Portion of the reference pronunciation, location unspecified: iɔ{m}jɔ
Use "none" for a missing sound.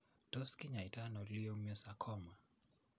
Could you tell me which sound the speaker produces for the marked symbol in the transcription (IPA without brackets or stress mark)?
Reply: m